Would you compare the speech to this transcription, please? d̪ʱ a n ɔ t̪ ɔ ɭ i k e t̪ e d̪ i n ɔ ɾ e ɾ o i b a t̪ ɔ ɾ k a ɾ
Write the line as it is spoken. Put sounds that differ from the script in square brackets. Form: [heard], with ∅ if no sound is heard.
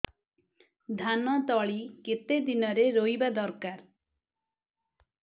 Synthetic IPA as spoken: d̪ʱ a n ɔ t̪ ɔ ɭ i k e t̪ e d̪ i n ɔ ɾ e ɾ o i b a [d̪] ɔ ɾ k a ɾ